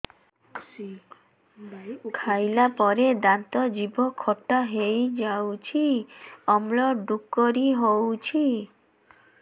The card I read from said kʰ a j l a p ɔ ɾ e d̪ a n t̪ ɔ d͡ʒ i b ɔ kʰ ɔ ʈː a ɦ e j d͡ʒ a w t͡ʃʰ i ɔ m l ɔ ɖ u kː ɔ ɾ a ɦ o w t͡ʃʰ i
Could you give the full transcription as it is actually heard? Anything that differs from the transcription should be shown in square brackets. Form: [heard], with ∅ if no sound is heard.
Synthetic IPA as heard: kʰ a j l a p ɔ ɾ e d̪ a n t̪ ɔ d͡ʒ i b ɔ kʰ ɔ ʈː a ɦ e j d͡ʒ a w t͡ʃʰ i ɔ m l ɔ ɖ u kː ɔ ɾ [i] ɦ o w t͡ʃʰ i